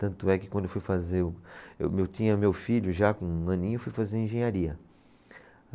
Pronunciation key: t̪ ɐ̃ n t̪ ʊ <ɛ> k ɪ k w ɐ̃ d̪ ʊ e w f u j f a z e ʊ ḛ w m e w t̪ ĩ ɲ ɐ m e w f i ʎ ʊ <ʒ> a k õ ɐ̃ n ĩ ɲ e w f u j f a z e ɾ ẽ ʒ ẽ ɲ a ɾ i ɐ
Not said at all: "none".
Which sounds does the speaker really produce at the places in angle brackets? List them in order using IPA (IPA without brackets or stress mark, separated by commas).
ɛ, ʒ